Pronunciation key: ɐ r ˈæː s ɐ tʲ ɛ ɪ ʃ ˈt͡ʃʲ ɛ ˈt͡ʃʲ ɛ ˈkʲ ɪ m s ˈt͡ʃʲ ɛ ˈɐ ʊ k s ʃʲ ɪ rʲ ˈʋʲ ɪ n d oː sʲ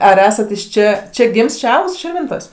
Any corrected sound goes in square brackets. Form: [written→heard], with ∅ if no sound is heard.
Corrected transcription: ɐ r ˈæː s ɐ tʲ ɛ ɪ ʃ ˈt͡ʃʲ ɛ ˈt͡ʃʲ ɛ [ˈkʲ→ˈɡʲ] ɪ m s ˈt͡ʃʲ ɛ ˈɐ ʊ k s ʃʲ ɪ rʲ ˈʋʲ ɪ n [d→t] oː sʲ